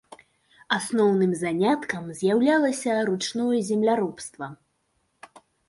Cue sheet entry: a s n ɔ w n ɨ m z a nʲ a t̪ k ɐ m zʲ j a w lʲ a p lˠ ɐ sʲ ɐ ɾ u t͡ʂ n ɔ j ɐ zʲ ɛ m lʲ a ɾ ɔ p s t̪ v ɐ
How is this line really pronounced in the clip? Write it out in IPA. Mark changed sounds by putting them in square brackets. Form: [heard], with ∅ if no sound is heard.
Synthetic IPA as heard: a s n ɔ w n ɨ m z a nʲ a t̪ k ɐ m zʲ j a w lʲ a [∅] lˠ ɐ sʲ ɐ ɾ u t͡ʂ n ɔ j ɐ zʲ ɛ m lʲ a ɾ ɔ p s t̪ v ɐ

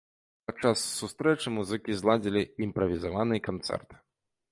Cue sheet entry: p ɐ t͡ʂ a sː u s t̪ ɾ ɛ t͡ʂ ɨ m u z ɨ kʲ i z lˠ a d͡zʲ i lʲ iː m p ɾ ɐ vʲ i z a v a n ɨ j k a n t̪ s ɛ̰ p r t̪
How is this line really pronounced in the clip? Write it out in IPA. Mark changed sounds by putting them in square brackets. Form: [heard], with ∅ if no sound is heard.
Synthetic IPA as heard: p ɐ t͡ʂ a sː u s t̪ ɾ ɛ t͡ʂ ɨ m u z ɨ kʲ i z lˠ a d͡zʲ i lʲ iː m p ɾ ɐ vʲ i z a v a n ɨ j k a n t̪ s ɛ̰ [∅] r t̪

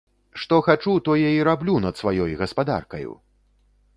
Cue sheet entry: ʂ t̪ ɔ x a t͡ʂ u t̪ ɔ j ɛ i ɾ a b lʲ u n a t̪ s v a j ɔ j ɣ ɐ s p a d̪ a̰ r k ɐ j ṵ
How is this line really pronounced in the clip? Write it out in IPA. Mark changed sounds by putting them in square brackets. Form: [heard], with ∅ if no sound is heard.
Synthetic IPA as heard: ʂ t̪ ɔ x a t͡ʂ u t̪ ɔ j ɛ i ɾ a b lʲ u n [ɐ] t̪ s v a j ɔ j ɣ ɐ s p a d̪ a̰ r k ɐ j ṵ

